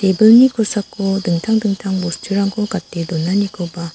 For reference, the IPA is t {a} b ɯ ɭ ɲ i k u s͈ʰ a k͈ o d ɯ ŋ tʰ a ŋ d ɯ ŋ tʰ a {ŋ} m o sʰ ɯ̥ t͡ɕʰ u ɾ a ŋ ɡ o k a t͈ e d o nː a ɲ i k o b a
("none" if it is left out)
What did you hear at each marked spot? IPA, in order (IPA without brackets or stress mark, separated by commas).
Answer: e, ŋ